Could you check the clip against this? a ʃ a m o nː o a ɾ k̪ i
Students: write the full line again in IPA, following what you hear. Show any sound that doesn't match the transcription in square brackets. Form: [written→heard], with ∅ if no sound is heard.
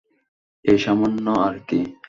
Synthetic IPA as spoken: [a→e] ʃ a m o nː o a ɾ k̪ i